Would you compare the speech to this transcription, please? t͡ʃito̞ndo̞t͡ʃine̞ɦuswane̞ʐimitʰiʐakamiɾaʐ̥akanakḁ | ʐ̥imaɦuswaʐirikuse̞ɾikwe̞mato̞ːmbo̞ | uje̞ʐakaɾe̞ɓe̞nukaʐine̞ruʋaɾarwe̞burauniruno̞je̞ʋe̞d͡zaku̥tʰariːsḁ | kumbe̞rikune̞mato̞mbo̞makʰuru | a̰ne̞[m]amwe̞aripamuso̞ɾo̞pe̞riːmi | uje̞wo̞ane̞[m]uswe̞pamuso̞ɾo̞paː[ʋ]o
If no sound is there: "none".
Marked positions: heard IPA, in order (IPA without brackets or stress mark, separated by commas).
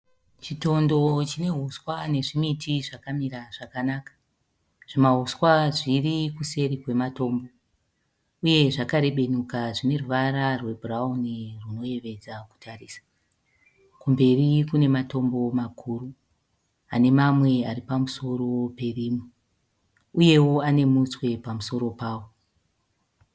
m, m, w